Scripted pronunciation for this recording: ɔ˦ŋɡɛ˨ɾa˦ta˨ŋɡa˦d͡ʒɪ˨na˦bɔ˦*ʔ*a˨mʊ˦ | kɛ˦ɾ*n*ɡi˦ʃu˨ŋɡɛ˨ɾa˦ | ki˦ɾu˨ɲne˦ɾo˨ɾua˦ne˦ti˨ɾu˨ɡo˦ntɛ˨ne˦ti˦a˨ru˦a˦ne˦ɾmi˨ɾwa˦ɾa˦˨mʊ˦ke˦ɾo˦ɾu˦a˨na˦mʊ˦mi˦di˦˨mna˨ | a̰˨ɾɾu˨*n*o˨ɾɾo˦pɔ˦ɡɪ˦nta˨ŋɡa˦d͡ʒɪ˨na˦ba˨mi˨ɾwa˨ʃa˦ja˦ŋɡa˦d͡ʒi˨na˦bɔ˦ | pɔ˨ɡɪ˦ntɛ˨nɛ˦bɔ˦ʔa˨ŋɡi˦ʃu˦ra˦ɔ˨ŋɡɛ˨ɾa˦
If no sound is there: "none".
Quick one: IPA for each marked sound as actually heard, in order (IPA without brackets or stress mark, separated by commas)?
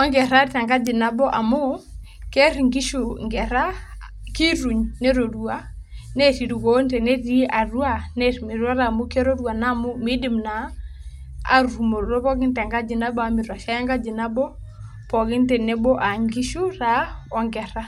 ʔ, ŋ, m